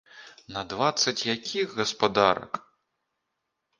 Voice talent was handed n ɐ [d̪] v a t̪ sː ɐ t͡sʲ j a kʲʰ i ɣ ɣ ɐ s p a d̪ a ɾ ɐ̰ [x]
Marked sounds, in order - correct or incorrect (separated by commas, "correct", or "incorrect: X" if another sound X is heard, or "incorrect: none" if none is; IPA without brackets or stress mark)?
correct, incorrect: k